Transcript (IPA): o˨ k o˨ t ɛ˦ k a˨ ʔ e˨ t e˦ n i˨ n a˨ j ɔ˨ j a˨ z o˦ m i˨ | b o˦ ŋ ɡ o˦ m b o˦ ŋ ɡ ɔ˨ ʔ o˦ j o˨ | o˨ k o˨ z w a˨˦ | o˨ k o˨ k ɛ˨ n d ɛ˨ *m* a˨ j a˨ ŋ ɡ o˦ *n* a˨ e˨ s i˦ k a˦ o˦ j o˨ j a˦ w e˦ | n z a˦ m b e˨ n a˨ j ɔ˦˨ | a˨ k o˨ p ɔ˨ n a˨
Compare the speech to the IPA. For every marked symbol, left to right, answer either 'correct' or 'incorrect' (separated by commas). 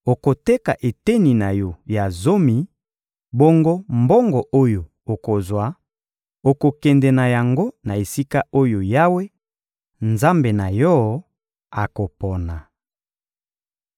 incorrect, correct